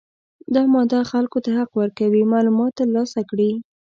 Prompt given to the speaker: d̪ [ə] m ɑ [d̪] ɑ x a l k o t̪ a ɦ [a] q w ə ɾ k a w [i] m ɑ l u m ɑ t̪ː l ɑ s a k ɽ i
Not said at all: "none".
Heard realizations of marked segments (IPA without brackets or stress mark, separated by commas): ɑ, d̪, a, i